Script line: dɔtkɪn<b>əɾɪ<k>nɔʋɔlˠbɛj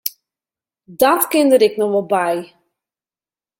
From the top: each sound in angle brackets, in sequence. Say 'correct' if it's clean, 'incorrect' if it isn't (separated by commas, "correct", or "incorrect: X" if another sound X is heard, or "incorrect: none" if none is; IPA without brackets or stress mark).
incorrect: d, correct